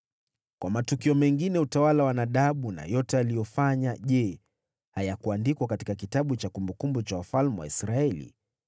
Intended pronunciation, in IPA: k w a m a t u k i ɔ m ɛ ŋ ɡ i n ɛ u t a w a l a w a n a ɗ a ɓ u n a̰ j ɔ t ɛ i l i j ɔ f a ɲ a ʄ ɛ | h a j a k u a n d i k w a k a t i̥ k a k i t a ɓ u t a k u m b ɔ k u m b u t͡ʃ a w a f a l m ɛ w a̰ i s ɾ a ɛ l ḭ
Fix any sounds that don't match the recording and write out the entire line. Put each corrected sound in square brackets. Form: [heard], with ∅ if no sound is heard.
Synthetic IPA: k w a m a t u k i ɔ m ɛ ŋ ɡ i n ɛ u t a w a l a w a n a ɗ a ɓ u n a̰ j ɔ t ɛ [a] l i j ɔ f a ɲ a ʄ ɛ | h a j a k u a n d i k w a k a t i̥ k a k i t a ɓ u [t͡ʃ] a k u m b [u] k u m b u t͡ʃ a w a f a l m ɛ w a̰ i s ɾ a ɛ l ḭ